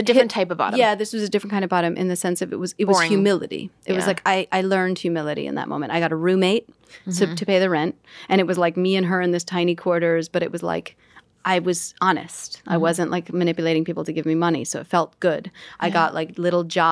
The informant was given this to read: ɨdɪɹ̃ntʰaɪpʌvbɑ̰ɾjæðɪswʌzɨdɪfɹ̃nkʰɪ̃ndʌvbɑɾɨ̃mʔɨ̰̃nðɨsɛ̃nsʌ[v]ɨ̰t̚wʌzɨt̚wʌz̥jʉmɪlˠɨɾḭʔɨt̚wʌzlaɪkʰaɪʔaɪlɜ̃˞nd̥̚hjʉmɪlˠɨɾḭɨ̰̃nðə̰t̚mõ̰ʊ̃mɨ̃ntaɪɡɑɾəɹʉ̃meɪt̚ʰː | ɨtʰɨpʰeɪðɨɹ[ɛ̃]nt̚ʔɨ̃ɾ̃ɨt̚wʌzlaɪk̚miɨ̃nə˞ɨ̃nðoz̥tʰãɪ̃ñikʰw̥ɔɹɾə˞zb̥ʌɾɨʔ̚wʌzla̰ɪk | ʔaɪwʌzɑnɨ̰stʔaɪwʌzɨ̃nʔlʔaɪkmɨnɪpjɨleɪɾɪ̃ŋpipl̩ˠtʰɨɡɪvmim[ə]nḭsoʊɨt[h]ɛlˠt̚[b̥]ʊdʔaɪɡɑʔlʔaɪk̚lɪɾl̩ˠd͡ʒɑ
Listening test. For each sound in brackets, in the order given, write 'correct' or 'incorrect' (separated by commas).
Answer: correct, correct, incorrect, incorrect, incorrect